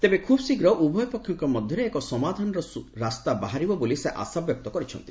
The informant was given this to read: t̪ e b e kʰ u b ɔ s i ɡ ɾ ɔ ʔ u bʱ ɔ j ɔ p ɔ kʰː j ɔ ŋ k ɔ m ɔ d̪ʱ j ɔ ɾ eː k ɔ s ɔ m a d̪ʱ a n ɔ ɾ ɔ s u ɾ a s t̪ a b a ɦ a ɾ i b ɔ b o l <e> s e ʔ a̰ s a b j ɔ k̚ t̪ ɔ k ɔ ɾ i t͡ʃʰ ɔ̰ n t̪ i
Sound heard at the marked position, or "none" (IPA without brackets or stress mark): i